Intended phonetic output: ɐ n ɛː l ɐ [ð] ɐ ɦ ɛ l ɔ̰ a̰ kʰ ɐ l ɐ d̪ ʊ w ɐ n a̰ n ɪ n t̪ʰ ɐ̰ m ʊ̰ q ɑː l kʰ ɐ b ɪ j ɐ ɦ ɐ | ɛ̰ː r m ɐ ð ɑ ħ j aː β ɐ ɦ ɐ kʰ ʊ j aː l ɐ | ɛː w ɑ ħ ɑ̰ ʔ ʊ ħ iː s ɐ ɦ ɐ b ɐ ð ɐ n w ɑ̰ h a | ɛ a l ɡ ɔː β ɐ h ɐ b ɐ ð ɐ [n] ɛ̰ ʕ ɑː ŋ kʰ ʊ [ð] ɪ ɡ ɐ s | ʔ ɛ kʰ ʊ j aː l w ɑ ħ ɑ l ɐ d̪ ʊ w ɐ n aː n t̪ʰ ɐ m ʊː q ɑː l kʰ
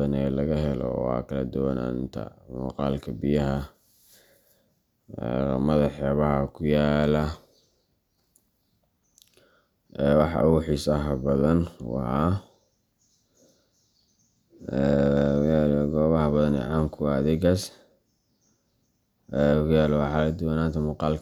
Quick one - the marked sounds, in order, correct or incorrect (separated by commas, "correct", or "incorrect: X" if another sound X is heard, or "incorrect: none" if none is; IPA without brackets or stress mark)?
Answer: incorrect: ɣ, correct, correct